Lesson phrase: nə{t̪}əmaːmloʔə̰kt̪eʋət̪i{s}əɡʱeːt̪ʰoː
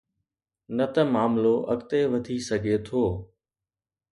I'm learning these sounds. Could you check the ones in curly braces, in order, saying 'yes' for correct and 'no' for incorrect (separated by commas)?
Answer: yes, yes